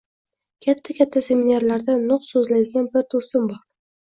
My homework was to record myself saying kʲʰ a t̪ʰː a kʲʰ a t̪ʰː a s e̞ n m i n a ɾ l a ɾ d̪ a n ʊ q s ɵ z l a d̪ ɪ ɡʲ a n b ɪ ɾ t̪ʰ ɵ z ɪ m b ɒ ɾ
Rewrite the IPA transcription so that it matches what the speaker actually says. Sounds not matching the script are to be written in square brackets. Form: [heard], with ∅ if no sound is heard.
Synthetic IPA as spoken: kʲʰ a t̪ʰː a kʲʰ a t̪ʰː a s e̞ [∅] m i n a ɾ l a ɾ d̪ a n ʊ q s ɵ z l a d̪ ɪ ɡʲ a n b ɪ ɾ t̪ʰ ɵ [s] ɪ m b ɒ ɾ